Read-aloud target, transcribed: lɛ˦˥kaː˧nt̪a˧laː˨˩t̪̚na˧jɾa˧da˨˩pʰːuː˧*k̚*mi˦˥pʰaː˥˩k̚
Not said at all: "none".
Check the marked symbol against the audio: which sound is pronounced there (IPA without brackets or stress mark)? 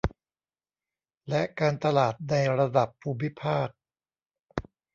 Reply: none